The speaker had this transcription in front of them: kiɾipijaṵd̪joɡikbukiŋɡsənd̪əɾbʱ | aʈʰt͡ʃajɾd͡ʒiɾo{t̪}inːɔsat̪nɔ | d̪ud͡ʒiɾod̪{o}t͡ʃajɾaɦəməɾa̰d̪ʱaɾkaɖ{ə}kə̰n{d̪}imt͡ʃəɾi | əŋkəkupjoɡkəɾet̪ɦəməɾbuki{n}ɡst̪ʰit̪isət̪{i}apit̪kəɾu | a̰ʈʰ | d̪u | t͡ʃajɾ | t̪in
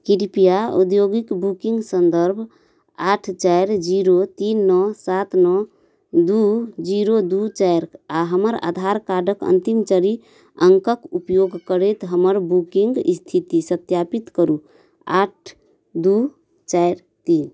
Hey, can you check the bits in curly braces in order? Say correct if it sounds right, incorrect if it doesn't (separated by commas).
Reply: correct, incorrect, correct, incorrect, incorrect, incorrect